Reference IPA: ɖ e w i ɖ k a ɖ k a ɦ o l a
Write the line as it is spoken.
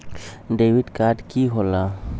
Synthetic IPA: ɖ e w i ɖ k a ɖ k i ɦ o l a